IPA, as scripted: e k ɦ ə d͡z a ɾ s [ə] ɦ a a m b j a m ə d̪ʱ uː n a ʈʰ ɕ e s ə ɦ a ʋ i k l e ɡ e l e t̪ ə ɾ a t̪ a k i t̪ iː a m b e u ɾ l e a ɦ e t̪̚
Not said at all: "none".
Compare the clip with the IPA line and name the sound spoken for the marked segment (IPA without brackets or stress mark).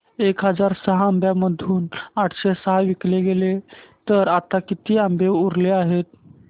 ə